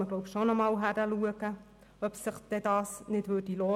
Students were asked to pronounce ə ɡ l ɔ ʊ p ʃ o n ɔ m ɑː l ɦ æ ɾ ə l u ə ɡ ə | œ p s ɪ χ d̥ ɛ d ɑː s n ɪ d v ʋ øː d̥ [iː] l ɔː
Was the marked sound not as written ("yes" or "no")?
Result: yes